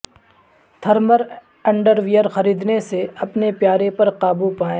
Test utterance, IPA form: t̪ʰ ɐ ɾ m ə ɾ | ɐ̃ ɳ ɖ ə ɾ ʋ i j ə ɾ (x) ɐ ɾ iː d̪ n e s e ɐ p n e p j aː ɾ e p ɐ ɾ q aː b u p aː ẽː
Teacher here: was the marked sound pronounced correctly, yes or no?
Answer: yes